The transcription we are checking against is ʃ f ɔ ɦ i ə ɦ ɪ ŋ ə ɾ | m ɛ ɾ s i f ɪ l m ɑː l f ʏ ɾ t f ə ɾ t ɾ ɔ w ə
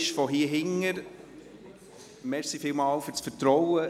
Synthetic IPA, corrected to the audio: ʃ f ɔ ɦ i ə ɦ ɪ ŋ ə ɾ | m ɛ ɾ s i f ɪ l m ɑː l f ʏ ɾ t͡s f ə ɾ t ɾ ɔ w ə